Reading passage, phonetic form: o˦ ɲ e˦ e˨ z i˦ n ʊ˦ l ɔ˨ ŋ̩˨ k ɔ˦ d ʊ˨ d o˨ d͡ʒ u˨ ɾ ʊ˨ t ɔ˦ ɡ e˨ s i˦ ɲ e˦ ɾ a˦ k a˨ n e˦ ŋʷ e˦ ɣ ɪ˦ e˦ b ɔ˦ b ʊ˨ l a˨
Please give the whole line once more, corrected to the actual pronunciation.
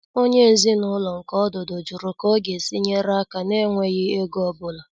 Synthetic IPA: o˦ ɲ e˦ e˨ z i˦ n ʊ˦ l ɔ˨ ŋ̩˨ k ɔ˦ d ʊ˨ d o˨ d͡ʒ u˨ ɾ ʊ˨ k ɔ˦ ɡ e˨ s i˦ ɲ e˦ ɾ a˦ k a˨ n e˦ ŋʷ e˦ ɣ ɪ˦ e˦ ɡ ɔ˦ b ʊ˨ l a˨